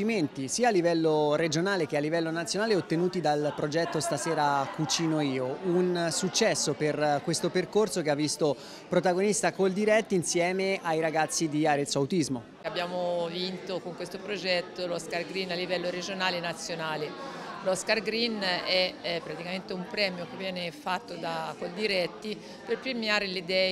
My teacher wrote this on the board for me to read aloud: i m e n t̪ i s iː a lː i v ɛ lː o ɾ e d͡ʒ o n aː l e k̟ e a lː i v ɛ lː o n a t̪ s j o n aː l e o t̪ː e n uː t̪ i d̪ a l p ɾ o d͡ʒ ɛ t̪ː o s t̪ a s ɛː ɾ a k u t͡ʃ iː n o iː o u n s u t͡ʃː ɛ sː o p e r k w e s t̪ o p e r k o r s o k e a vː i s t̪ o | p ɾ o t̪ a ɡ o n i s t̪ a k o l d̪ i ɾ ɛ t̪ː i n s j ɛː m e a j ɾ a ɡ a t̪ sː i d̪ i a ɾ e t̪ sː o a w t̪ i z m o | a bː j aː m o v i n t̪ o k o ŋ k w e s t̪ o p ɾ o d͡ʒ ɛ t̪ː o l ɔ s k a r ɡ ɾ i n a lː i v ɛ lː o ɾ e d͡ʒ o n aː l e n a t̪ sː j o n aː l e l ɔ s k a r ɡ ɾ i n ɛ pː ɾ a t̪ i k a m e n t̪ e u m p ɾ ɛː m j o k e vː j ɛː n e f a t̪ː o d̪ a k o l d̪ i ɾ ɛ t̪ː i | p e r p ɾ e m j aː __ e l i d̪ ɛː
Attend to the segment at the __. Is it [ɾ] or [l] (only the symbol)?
ɾ